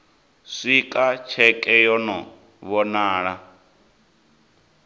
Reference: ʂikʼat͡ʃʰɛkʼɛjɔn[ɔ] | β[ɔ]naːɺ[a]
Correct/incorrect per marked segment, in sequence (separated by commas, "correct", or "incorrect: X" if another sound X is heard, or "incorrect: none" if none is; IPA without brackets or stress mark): correct, correct, correct